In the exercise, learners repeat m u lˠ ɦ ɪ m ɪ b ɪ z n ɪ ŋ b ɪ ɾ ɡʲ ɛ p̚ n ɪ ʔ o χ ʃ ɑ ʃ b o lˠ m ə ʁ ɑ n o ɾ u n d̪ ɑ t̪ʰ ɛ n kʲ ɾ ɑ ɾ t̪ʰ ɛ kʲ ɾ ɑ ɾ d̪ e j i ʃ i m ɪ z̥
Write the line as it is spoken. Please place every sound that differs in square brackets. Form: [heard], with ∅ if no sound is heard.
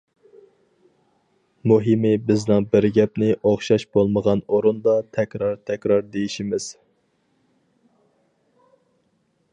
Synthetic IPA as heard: m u [∅] ɦ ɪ m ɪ b ɪ z n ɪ ŋ b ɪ ɾ ɡʲ ɛ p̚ n ɪ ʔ o χ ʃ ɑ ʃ b o lˠ m ə ʁ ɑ n o ɾ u n d̪ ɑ t̪ʰ ɛ [∅] kʲ ɾ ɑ ɾ t̪ʰ ɛ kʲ ɾ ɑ ɾ d̪ e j i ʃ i m ɪ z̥